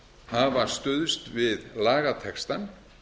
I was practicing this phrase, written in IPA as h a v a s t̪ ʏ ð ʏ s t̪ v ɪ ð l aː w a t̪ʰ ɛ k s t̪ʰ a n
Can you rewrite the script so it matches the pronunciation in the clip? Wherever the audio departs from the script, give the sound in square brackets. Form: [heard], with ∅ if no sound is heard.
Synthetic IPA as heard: h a v a s t̪ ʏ ð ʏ s t̪ v ɪ ð l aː [ɣ] a t̪ʰ ɛ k s [t̪] a n